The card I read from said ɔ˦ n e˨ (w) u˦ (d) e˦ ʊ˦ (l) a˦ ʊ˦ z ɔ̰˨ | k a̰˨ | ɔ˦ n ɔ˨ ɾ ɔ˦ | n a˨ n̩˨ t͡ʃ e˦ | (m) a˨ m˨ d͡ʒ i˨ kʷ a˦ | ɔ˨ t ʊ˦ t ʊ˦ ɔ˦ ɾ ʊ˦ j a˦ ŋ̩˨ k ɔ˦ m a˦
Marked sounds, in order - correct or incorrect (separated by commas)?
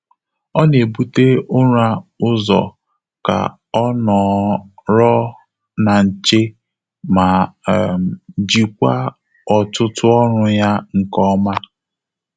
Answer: incorrect, incorrect, incorrect, correct